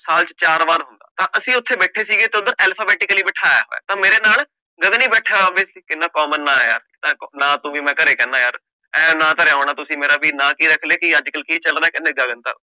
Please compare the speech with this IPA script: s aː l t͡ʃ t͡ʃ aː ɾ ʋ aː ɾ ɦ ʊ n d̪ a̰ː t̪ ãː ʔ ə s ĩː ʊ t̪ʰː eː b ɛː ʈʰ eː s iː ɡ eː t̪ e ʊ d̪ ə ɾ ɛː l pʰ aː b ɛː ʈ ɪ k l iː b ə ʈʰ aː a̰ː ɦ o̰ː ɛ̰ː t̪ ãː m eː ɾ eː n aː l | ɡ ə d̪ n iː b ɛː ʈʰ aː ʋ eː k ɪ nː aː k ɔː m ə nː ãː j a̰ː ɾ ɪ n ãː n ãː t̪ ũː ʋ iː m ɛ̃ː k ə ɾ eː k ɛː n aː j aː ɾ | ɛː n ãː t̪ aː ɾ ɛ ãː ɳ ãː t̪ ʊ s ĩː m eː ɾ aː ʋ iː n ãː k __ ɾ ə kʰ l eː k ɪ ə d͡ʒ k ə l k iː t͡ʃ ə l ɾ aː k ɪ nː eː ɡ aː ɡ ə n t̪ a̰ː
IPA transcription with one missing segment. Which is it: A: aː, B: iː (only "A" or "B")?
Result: B